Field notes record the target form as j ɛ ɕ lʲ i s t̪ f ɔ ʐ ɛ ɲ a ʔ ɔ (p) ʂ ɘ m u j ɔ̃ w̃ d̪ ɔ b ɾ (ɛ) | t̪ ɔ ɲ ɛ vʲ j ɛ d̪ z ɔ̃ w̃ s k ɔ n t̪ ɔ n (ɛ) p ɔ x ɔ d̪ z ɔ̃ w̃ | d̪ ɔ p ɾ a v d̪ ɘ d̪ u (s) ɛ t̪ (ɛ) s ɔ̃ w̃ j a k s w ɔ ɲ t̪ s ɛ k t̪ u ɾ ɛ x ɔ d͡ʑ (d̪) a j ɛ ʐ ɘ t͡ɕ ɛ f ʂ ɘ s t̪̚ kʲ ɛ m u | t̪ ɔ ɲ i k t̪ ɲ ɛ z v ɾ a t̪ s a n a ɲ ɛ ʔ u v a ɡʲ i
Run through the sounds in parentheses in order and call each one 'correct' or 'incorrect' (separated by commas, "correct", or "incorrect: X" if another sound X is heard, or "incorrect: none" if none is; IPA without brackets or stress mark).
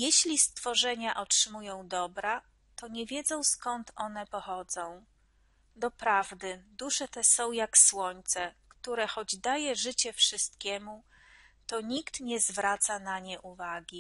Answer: incorrect: t, incorrect: a, correct, incorrect: ʂ, correct, correct